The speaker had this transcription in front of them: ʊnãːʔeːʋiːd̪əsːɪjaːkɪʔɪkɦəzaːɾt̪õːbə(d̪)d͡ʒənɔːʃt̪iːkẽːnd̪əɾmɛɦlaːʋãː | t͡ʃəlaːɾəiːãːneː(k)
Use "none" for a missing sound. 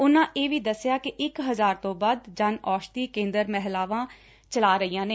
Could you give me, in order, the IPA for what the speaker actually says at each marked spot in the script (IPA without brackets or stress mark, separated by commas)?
d̪, none